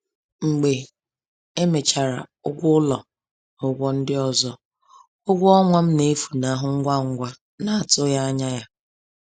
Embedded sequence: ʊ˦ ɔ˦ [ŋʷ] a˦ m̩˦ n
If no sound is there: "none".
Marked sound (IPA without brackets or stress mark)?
ŋʷ